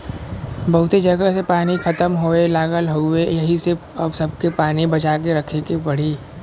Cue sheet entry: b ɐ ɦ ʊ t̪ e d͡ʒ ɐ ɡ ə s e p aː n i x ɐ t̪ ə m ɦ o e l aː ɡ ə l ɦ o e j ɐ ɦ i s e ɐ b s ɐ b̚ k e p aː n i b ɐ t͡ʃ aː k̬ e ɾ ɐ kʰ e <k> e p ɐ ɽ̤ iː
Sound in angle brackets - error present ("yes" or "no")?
no